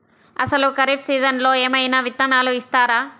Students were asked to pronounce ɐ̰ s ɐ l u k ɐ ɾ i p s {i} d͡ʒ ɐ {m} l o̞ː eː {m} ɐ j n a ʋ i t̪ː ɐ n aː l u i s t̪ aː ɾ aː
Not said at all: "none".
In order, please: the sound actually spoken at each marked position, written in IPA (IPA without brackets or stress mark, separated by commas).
iː, n, m